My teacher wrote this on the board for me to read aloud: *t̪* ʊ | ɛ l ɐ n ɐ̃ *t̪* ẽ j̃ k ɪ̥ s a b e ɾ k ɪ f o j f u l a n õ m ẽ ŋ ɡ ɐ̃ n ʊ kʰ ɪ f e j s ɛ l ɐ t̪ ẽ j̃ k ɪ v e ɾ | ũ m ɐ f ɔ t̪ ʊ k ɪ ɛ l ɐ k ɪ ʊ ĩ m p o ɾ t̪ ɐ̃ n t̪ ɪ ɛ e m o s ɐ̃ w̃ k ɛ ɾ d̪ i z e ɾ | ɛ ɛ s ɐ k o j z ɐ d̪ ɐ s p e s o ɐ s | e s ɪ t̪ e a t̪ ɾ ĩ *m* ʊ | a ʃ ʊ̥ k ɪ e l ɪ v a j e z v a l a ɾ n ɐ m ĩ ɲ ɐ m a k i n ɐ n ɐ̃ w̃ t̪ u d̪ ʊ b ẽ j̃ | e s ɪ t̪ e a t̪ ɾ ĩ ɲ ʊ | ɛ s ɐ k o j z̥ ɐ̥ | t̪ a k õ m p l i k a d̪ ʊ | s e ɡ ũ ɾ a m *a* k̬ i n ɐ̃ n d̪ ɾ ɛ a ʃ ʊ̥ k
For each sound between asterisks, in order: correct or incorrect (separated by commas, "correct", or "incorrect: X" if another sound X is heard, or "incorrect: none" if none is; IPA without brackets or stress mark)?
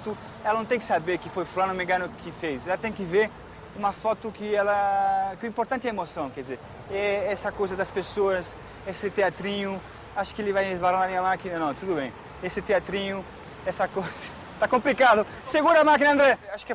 correct, correct, incorrect: ɲ, correct